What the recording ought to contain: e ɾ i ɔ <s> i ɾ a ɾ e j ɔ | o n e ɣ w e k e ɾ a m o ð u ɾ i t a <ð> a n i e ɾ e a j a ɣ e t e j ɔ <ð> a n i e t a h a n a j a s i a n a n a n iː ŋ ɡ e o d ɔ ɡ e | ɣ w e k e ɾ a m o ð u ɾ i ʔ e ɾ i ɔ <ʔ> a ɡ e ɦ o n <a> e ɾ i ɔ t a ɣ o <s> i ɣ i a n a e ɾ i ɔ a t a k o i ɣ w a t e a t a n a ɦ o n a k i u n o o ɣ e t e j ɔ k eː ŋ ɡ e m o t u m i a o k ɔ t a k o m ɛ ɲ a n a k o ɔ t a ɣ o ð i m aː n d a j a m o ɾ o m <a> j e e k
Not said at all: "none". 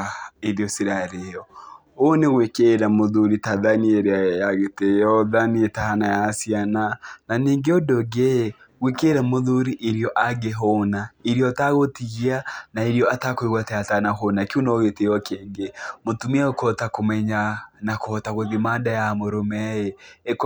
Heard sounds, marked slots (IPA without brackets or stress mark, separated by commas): s, ð, ð, ʔ, a, t, ɛ